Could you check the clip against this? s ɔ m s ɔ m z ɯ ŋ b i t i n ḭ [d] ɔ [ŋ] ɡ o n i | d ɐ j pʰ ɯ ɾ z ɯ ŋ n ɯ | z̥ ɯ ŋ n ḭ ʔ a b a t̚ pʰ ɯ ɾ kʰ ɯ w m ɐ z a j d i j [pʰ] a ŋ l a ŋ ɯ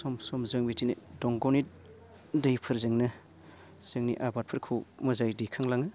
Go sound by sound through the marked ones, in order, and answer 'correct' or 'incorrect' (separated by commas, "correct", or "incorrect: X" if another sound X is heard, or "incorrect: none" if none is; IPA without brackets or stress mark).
correct, correct, incorrect: kʰ